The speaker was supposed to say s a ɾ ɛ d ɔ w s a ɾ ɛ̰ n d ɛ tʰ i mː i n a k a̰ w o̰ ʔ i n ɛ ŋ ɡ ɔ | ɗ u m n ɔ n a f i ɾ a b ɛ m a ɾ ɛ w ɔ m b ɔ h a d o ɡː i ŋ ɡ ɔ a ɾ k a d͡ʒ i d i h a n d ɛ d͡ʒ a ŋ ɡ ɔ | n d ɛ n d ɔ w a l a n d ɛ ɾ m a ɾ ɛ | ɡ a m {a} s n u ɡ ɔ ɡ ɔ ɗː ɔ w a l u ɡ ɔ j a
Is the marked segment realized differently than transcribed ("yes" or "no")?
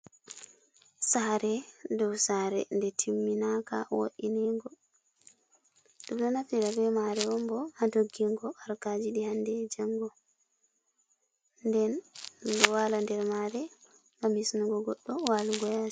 yes